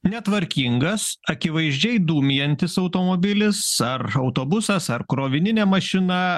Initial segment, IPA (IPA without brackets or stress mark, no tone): nʲ